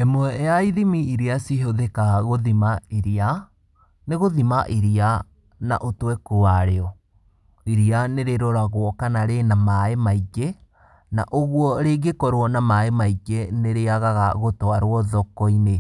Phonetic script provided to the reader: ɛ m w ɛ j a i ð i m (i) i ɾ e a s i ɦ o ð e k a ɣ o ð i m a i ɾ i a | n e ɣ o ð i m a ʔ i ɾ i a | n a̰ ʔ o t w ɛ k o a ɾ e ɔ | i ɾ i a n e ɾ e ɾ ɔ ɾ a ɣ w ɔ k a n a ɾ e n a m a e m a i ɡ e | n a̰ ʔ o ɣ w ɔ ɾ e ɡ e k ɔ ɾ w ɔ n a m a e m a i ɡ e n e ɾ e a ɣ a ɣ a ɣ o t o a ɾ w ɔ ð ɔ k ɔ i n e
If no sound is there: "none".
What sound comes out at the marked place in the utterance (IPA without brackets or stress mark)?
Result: i